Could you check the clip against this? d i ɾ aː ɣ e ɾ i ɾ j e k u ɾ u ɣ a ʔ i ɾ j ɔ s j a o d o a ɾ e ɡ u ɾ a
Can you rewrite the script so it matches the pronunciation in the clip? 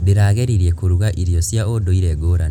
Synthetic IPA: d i ɾ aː ɣ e ɾ i ɾ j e k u ɾ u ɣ a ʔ i ɾ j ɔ s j a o d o i ɾ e ɡ o ɾ a